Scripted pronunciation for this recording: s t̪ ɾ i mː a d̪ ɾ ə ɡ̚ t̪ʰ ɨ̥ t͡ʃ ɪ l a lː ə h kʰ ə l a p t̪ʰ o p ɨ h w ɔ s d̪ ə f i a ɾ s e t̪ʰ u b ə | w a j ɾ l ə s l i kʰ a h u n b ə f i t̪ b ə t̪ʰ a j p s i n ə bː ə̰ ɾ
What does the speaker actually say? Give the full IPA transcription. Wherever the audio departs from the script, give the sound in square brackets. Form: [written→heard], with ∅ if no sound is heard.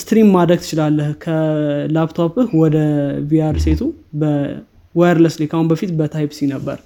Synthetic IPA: s t̪ ɾ i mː a d̪ ɾ ə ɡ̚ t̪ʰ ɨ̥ t͡ʃ ɪ l a lː ə h kʰ ə l a p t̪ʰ o p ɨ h w ɔ [s→∅] d̪ ə [f→v] i a ɾ s e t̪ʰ u b ə | w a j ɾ l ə s l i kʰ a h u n b ə f i t̪ b ə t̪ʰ a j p s i n ə bː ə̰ ɾ